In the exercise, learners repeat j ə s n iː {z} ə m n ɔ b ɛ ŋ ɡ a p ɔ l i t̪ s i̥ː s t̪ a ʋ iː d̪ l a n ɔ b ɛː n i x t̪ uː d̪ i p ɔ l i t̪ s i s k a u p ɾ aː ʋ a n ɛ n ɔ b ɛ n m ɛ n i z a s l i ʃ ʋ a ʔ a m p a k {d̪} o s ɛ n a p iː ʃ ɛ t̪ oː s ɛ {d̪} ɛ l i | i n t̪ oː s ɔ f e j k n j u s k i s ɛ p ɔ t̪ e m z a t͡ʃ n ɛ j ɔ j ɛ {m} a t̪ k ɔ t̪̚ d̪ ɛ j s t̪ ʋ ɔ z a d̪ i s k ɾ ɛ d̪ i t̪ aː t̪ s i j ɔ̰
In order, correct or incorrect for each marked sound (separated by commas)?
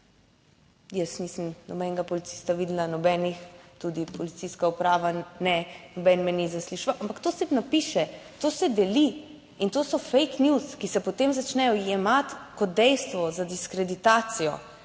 incorrect, incorrect, correct, correct